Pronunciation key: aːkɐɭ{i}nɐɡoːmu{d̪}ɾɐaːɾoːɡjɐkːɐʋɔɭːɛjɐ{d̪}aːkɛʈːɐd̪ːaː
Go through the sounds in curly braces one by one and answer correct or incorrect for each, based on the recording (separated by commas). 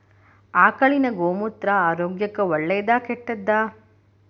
correct, incorrect, correct